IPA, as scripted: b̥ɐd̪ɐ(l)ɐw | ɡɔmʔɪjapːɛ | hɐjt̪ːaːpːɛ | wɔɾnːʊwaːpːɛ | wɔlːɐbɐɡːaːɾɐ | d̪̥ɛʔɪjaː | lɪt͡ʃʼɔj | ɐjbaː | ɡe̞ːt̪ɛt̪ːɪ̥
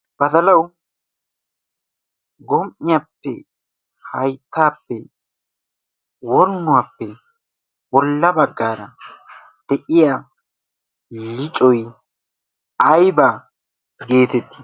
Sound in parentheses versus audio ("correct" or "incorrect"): correct